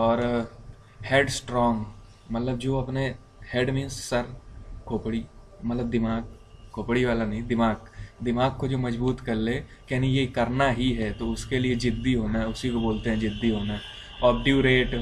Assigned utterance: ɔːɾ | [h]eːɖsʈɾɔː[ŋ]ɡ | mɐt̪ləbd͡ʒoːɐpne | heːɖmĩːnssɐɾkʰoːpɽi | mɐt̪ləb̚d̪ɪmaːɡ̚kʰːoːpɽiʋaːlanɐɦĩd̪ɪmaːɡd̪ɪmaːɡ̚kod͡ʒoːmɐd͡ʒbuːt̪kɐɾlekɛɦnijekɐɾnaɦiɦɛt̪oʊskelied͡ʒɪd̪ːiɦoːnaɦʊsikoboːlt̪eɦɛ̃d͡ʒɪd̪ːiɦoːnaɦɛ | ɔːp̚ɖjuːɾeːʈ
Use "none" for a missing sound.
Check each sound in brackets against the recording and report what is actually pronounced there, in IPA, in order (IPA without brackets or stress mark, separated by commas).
h, ŋ